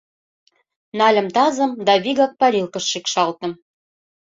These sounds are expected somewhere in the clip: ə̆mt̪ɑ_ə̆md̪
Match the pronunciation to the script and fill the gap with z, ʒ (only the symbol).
z